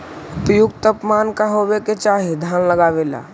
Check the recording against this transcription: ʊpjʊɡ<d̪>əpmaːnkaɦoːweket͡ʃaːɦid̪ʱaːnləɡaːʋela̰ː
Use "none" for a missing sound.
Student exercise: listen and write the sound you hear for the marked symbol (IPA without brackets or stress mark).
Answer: t̪